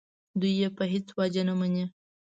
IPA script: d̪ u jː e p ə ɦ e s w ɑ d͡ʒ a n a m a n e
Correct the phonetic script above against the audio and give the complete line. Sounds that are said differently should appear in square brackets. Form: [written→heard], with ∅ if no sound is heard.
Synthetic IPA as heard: d̪ u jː e p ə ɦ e [s→t͡s] w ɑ d͡ʒ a n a m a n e